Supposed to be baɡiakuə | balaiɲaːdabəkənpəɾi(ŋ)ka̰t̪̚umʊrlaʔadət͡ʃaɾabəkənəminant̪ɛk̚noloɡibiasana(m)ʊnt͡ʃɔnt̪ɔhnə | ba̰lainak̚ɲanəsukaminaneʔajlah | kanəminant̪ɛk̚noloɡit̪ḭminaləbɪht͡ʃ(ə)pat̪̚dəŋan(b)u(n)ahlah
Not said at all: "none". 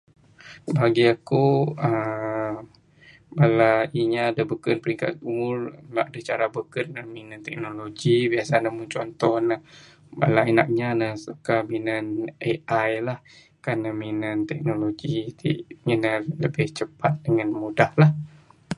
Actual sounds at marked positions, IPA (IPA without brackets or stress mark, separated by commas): ŋ, m, ə, m, d